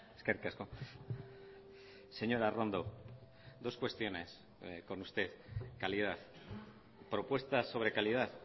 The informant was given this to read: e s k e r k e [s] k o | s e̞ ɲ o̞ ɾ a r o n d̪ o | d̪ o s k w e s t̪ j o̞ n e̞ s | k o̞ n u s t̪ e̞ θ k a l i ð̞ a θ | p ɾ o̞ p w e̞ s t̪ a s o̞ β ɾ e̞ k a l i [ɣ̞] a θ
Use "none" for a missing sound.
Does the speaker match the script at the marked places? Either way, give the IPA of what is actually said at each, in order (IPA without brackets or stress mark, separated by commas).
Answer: s, ð̞